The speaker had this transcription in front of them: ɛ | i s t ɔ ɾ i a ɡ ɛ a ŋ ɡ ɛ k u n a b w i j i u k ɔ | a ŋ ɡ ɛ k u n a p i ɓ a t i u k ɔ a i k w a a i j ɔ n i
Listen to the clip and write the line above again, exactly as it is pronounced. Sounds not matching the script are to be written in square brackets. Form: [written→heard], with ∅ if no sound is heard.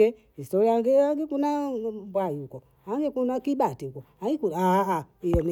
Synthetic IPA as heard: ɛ | i s t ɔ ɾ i a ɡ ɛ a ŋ ɡ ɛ k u n a b w [i→a] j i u k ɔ | a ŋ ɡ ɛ k u n a [p→k] i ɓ a t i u k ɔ a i k [w→u] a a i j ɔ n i